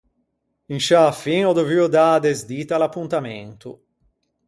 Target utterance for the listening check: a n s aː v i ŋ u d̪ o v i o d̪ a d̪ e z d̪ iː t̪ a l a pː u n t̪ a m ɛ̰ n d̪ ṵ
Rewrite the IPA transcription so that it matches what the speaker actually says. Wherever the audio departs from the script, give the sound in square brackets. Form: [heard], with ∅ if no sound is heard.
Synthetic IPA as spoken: [i] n [ʃ] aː [f] i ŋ [ɔ] d̪ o v i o d̪ a d̪ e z d̪ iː t̪ a l a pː u n t̪ a m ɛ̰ n [t̪] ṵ